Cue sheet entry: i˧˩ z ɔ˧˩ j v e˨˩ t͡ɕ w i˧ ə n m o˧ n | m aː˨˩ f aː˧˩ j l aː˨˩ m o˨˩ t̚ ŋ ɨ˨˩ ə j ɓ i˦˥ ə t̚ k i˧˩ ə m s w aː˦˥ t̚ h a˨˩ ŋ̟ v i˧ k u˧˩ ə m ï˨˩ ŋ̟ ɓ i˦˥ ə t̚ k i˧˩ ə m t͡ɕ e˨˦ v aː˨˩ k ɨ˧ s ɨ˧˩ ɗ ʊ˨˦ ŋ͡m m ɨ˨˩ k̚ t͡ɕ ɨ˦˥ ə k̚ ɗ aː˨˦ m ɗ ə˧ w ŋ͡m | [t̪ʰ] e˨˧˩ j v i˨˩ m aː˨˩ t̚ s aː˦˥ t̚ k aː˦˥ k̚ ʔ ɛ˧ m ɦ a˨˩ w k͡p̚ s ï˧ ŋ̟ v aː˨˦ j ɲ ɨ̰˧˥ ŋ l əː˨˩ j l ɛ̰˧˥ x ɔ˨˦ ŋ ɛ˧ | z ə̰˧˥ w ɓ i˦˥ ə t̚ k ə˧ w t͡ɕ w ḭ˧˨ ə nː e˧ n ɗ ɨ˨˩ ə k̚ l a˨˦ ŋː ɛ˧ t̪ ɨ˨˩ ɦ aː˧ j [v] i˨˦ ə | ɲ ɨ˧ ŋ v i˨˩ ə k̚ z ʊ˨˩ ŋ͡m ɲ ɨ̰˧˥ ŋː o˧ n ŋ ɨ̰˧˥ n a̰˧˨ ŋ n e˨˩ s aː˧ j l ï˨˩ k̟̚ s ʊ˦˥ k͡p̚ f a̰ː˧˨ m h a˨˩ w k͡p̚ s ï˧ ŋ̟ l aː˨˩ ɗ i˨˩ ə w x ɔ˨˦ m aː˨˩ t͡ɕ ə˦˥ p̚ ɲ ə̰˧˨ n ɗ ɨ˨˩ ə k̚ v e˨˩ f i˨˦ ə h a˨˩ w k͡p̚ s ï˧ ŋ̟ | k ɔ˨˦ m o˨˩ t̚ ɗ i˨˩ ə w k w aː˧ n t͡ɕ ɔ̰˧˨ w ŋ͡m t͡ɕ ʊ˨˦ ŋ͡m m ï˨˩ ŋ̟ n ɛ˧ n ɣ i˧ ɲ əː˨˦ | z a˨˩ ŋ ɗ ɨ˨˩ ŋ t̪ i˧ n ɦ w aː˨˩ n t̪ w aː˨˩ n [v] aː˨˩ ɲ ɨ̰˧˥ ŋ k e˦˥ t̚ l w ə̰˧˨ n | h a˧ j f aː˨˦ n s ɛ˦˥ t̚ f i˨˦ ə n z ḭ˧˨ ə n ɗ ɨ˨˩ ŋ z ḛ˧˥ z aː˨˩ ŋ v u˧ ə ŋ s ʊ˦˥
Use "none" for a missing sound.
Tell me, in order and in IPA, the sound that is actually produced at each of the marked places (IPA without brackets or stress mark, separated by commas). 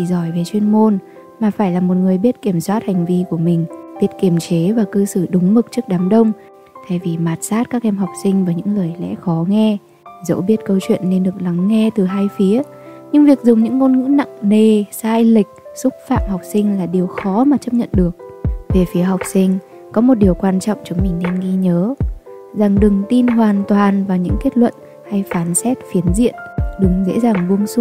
t̪ʰ, f, v